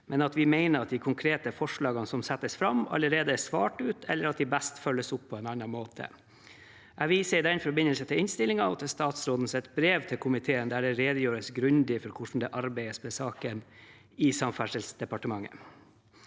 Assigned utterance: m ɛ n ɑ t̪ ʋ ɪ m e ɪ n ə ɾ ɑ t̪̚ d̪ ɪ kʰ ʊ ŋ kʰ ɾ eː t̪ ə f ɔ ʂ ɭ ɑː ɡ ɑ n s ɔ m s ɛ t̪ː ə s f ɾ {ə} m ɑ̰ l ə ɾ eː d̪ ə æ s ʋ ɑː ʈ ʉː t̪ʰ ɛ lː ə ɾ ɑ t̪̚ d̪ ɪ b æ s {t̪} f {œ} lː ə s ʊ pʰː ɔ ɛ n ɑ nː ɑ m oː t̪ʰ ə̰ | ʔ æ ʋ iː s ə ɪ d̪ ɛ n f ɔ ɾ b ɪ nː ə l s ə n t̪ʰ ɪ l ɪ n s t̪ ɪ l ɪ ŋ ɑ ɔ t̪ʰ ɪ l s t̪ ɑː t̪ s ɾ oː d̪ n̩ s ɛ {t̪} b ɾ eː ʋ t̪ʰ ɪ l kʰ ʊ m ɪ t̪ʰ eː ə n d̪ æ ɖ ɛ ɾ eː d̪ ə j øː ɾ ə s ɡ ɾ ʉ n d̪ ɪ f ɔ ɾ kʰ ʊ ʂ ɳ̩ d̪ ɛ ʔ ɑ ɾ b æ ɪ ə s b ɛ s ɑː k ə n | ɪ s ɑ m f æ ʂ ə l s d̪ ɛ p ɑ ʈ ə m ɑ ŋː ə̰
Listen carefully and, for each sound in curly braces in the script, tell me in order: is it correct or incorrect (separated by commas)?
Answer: incorrect, correct, correct, correct